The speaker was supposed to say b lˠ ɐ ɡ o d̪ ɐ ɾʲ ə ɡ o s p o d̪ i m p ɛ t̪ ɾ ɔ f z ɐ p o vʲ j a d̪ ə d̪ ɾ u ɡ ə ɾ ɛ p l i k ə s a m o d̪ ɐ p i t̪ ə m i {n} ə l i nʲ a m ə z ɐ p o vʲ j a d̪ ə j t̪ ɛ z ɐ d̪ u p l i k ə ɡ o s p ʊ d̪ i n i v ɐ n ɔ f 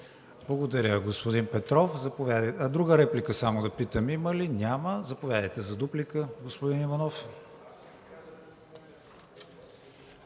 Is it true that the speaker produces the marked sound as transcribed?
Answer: no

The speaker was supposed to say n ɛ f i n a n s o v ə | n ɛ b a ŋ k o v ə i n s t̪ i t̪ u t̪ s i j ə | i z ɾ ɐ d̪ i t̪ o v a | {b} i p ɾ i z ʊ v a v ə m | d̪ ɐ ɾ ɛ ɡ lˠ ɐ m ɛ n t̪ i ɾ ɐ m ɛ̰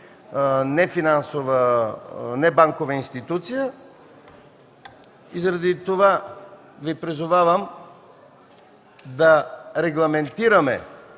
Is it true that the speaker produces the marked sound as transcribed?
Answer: no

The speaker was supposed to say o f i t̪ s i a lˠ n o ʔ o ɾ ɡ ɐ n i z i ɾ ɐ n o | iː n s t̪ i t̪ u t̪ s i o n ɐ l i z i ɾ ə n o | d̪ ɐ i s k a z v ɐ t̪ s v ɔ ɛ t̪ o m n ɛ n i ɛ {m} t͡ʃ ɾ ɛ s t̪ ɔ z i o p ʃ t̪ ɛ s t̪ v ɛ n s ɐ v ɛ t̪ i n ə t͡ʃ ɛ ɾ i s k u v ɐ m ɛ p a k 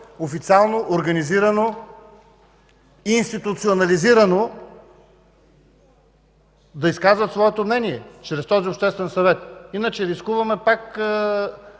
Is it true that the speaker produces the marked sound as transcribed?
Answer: no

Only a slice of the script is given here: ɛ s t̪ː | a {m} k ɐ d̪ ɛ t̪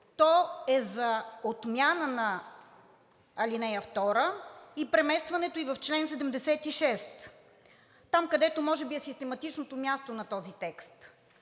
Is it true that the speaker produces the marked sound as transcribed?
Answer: yes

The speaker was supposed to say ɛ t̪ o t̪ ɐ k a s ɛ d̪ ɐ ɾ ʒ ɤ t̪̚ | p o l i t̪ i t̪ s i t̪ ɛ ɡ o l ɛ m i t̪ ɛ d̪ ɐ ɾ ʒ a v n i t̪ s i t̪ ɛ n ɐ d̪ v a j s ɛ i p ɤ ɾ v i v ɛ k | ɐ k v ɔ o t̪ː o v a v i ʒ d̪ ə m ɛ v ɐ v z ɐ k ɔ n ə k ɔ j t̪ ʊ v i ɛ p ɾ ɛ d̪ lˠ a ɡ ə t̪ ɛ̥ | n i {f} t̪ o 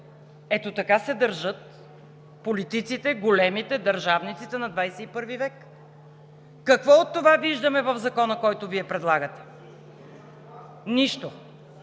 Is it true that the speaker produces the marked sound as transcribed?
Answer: no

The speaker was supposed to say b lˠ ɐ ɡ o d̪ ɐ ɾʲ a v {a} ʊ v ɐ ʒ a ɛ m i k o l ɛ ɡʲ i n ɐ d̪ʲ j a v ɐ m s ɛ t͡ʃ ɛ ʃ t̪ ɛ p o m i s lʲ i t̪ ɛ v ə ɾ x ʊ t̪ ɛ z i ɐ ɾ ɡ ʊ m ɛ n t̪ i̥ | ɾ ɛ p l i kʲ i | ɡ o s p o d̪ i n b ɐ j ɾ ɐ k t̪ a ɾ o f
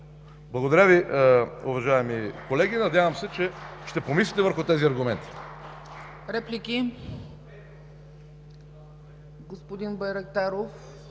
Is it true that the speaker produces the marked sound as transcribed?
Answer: no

